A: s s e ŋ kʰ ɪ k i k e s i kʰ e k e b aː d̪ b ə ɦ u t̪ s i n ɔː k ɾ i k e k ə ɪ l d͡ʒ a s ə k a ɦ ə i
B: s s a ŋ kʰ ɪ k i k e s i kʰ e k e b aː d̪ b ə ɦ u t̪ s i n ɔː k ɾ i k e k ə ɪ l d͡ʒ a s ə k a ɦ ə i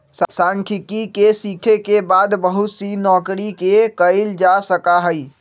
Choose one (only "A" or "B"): B